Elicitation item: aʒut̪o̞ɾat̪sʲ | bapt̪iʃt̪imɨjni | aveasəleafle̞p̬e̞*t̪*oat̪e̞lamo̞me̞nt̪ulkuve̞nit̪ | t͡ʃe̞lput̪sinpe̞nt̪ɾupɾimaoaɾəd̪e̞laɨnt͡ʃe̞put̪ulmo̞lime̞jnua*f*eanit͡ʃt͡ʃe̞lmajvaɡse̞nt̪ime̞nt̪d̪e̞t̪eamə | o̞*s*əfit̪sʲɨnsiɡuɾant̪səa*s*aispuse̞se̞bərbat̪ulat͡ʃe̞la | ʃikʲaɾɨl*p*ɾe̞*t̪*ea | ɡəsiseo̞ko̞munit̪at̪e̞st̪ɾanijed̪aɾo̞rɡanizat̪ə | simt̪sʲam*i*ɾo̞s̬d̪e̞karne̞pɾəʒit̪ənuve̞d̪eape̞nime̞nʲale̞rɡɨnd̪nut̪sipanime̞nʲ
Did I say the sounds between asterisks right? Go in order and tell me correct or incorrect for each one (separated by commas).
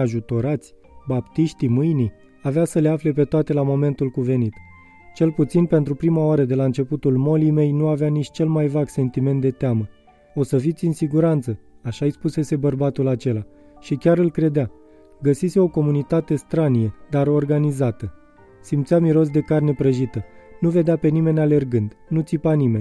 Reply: correct, incorrect, correct, incorrect, incorrect, incorrect, correct